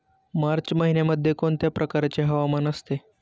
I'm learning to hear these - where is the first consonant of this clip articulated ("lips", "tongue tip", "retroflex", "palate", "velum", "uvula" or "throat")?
lips